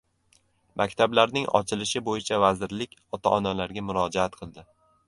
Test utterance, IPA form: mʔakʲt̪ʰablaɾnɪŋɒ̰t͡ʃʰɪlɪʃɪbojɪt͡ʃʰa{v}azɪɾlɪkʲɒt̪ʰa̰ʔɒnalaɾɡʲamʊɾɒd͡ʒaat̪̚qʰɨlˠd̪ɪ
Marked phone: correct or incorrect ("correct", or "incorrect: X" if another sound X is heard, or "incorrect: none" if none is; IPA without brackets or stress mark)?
correct